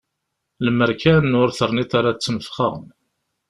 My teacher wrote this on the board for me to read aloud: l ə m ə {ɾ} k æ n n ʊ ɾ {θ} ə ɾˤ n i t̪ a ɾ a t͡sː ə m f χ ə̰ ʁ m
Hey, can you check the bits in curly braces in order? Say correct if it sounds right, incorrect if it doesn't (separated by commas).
correct, correct